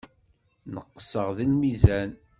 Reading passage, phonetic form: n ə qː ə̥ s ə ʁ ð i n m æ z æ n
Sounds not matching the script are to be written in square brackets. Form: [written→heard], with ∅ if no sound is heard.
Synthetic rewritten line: n ə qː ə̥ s ə ʁ ð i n m [æ→i] z æ n